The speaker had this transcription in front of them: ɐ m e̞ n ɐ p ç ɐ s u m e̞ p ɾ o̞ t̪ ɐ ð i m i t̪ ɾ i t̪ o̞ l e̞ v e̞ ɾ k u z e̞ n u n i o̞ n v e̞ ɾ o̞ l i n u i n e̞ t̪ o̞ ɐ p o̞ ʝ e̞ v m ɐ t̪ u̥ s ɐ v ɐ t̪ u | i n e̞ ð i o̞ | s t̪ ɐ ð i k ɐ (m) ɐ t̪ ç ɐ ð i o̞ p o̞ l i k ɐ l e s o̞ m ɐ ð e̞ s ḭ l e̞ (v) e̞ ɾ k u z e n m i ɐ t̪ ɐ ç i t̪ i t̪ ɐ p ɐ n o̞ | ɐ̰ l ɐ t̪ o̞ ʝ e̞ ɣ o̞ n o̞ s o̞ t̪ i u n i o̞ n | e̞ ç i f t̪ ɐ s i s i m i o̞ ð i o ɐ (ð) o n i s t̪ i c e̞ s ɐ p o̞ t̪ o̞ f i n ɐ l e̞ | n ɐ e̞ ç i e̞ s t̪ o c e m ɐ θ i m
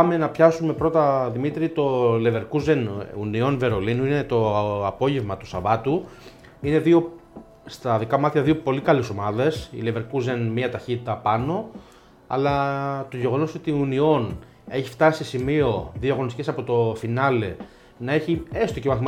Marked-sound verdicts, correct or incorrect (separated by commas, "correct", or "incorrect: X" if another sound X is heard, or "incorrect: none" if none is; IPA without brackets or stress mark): correct, correct, incorrect: ɣ